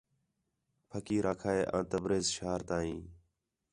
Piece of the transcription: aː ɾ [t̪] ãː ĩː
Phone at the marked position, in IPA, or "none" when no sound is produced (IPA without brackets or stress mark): t̪